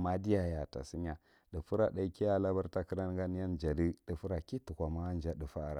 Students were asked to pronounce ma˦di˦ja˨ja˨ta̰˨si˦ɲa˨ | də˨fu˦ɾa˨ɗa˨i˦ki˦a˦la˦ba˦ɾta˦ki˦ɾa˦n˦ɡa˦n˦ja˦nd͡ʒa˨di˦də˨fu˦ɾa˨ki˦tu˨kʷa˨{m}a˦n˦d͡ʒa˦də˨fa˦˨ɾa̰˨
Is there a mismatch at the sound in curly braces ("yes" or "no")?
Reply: no